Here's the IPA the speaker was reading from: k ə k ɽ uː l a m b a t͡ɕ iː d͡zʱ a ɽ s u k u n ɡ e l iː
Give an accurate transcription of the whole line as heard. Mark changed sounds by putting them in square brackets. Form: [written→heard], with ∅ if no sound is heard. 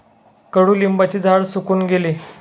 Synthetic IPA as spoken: k ə [k→∅] ɽ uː l [a→i] m b a t͡ɕ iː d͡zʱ a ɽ s u k [u→uː] n ɡ e l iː